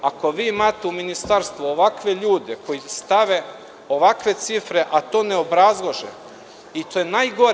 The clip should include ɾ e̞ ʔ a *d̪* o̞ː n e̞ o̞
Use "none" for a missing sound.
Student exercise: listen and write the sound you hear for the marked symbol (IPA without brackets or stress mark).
t̪